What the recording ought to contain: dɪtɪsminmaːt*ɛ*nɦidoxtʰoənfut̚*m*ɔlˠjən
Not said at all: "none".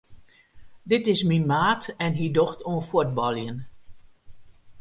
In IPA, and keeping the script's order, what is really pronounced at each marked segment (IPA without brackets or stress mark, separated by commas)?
ɛ, b